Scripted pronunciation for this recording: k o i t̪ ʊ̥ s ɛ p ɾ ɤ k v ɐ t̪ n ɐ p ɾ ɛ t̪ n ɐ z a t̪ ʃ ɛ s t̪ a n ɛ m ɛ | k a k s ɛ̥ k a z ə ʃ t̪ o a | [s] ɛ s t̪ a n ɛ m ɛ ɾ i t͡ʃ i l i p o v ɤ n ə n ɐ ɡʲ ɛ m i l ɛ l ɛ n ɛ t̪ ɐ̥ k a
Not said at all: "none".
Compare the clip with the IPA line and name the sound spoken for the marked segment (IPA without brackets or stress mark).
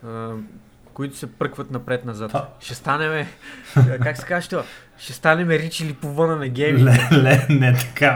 ʃ